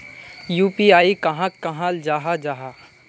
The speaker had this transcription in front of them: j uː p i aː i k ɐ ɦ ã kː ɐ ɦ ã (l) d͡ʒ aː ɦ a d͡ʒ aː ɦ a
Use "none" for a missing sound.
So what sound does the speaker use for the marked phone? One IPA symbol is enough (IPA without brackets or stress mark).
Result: l